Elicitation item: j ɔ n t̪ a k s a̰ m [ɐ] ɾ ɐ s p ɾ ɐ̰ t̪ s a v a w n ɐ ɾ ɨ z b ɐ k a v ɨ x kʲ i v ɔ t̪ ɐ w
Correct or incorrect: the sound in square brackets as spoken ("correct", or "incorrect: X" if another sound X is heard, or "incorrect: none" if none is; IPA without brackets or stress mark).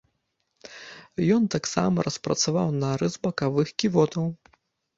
correct